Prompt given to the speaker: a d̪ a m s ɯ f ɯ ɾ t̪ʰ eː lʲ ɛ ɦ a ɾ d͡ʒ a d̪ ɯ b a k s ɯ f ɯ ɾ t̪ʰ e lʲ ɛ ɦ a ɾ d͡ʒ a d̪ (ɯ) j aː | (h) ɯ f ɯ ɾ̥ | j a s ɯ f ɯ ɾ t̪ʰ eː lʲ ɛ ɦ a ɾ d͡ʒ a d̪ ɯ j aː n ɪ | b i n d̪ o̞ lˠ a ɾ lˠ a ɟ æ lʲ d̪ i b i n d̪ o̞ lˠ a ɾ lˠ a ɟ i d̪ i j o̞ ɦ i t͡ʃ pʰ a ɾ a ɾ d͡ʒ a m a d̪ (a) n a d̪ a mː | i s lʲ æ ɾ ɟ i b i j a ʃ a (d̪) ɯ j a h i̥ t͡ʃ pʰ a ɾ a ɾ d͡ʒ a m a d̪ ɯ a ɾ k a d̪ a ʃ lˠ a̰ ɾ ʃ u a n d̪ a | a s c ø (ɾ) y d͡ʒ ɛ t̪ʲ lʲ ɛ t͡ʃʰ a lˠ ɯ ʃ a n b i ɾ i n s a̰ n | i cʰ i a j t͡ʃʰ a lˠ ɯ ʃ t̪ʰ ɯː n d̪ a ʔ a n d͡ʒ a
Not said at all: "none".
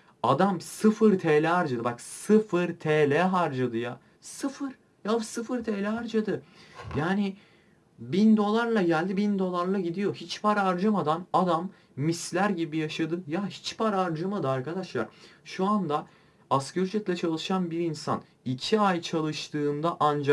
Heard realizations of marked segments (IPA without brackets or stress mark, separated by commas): ɯ, s, a, d̪, ɾ